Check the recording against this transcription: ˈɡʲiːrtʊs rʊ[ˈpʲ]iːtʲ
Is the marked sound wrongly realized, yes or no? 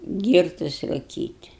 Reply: yes